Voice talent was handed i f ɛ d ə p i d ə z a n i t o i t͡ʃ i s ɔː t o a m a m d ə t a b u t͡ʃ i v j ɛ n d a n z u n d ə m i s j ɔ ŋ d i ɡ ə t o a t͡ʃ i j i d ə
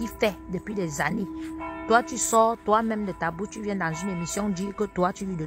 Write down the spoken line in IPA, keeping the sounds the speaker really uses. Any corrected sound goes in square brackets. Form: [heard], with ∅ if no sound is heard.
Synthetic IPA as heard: i f ɛ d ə p i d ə z a n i t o [a] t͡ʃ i s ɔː t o a m [ɛ] m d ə t a b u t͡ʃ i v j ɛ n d a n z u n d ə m i s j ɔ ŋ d i [k] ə t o a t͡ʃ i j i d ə